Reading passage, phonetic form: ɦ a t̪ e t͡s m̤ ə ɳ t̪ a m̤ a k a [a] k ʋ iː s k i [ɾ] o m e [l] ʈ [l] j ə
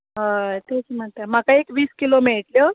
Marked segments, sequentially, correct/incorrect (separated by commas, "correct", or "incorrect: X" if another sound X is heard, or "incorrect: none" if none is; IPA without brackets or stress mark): incorrect: e, incorrect: l, incorrect: ɭ, correct